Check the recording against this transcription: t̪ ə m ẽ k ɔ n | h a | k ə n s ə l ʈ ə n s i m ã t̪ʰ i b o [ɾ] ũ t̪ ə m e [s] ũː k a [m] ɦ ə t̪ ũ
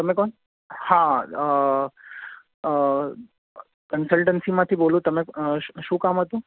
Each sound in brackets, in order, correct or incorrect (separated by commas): incorrect, incorrect, correct